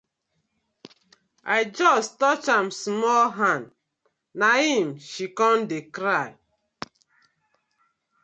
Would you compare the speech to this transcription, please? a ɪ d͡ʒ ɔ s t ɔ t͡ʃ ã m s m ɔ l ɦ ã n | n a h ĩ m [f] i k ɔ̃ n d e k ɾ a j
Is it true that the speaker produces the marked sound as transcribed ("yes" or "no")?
no